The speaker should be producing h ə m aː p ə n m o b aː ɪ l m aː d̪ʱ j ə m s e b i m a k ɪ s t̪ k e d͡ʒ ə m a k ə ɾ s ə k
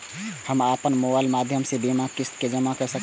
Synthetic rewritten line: h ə m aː p ə n m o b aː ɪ l m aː d̪ʱ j ə m s e b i m a k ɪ s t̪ k e d͡ʒ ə m a k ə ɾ s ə k